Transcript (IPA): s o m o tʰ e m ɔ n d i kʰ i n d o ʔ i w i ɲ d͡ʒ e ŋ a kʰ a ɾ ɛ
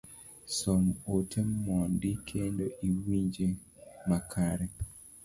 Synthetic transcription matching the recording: s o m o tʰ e m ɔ n d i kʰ e n d o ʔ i w i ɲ d͡ʒ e m a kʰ a ɾ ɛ